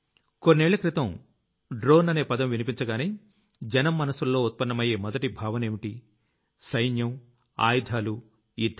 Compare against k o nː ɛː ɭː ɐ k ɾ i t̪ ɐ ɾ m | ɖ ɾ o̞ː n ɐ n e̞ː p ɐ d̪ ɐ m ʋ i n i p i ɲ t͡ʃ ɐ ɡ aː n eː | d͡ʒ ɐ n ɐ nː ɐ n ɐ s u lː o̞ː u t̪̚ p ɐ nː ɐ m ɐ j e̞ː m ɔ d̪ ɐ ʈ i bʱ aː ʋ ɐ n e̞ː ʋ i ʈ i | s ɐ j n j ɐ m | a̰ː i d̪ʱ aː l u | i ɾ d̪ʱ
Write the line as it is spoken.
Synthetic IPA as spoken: k o nː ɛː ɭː ɐ k ɾ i t̪ ɐ m | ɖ ɾ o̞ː n ɐ n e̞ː p ɐ d̪ ɐ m ʋ i n i p i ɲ t͡ʃ ɐ ɡ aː n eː | d͡ʒ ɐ n ɐ mː ɐ n ɐ s u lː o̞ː u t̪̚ p ɐ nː ɐ m ɐ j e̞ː m ɔ d̪ ɐ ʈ i bʱ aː ʋ ɐ n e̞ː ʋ i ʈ i | s ɐ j n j ɐ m | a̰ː j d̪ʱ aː l u | i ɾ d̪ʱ

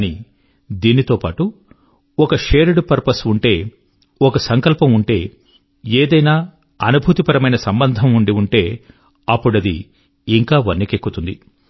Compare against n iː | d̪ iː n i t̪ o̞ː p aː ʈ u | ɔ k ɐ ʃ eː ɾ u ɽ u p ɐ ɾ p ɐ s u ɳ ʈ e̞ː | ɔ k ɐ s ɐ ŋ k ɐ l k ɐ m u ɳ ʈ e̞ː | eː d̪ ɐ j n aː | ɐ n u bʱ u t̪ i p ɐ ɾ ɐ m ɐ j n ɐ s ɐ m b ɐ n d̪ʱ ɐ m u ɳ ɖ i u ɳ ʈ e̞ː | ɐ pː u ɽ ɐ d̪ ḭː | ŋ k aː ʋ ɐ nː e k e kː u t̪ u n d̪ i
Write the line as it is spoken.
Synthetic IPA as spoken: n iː | d̪ iː n i t̪ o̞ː p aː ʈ u | ɔ k ɐ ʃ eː ɾ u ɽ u p ɐ ɾ p ɐ s u ɳ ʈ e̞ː | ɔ k ɐ s ɐ ŋ k ɐ l p ɐ m u ɳ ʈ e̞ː | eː d̪ ɐ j n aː | ɐ n u bʱ u t̪ i p ɐ ɾ ɐ m ɐ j n ɐ s ɐ m b ɐ n d̪ʱ ɐ m u ɳ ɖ i u ɳ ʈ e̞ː | ɐ pː u ɽ ɐ d̪ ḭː | ŋ k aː ʋ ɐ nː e k e kː u t̪ u n d̪ i

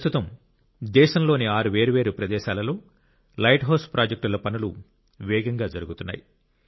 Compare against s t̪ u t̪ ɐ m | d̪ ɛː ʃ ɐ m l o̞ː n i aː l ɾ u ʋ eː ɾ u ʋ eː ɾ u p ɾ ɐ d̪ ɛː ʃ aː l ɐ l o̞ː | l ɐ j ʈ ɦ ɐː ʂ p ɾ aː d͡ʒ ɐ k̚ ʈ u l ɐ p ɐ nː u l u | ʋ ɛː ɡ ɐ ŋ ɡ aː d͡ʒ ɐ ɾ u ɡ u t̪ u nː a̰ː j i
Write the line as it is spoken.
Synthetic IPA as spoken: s t̪ u t̪ ɐ m | d̪ ɛː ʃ ɐ m l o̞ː n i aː ɾ u ʋ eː ɾ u ʋ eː ɾ u p ɾ ɐ d̪ ɛː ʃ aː l ɐ l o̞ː | l ɐ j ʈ ɦ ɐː s p ɾ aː d͡ʒ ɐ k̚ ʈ u l ɐ p ɐ n u l u | ʋ ɛː ɡ ɐ ŋ ɡ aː d͡ʒ ɐ ɾ u ɡ u t̪ u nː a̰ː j i

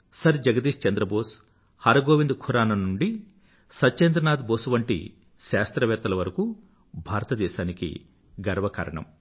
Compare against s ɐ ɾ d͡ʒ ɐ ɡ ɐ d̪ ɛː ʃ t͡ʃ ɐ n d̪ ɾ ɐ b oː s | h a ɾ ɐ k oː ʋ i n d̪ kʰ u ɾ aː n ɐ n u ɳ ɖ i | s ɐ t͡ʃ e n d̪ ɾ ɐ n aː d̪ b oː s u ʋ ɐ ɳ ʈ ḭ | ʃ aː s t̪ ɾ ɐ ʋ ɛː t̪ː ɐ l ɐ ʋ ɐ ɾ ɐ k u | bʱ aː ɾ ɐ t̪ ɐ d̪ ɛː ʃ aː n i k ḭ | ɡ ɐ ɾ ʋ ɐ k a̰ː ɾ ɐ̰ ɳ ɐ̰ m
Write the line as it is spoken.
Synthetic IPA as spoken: s ɐ ɾ d͡ʒ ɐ ɡ ɐ d̪ iː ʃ t͡ʃ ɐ n d̪ ɾ ɐ b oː s | h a ɾ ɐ ɡ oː ʋ i n d̪ kʰ u ɾ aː n ɐ n u ɳ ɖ i | s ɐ t͡ʃ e n d̪ ɾ ɐ n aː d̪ b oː s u ʋ ɐ ɳ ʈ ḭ | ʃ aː s t̪ ɾ ɐ ʋ ɛː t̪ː ɐ l ɐ ʋ ɐ ɾ ɐ k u | bʱ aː ɾ ɐ t̪ ɐ d̪ ɛː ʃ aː n i k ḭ | ɡ ɐ ɾ ʋ ɐ k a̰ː ɾ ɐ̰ ɳ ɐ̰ m

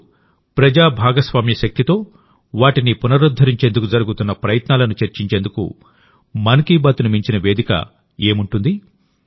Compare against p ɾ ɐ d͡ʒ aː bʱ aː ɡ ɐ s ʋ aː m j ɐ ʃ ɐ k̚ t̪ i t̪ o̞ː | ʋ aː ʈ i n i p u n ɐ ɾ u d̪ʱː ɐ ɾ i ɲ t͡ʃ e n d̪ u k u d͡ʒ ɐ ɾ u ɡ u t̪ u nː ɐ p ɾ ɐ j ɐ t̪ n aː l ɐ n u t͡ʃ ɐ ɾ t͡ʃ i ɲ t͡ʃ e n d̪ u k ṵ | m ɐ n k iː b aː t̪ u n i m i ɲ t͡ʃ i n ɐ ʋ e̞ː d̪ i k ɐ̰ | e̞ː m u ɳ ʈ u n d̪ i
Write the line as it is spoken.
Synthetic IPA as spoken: p ɾ ɐ d͡ʒ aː bʱ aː ɡ ɐ s ʋ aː m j ɐ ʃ ɐ k̚ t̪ i t̪ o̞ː | ʋ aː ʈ i n i p u n ɐ ɾ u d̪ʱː ɐ ɾ i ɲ t͡ʃ e n d̪ u k u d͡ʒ ɐ ɾ u ɡ u t̪ u nː ɐ p ɾ ɐ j ɐ t̪ n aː l ɐ n u t͡ʃ ɐ ɾ t͡ʃ i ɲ t͡ʃ e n d̪ u k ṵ | m ɐ n k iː b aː t̪ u n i m i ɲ t͡ʃ i n ɐ ʋ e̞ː d̪ i k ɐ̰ | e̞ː m u ɳ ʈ u n d̪ i

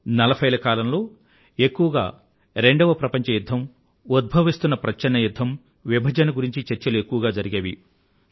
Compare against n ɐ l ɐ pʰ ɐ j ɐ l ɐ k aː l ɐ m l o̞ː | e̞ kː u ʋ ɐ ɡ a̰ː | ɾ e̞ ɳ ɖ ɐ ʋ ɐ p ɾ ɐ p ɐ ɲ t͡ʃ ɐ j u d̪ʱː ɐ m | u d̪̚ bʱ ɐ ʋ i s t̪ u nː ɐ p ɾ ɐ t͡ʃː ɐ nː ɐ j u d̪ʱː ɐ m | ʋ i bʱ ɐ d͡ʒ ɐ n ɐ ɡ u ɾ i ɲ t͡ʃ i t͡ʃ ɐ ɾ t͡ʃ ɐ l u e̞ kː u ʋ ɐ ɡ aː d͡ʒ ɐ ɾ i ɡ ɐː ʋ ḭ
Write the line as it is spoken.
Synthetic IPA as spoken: n ɐ l ɐ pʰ ɐ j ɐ l ɐ k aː l ɐ m l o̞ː | e̞ kː u ʋ ɐ ɡ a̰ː | ɾ e̞ ɳ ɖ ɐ ʋ ɐ p ɾ ɐ p ɐ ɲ t͡ʃ ɐ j u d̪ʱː ɐ m | u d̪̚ bʱ ɐ ʋ i s t̪ u nː ɐ p ɾ ɐ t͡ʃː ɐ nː ɐ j u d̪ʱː ɐ m | ʋ i bʱ ɐ d͡ʒ ɐ n ɐ ɡ u ɾ i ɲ t͡ʃ i t͡ʃ ɐ ɾ t͡ʃ ɐ l u e̞ kː u ʋ ɐ ɡ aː d͡ʒ ɐ ɾ i ɡ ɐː ʋ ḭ

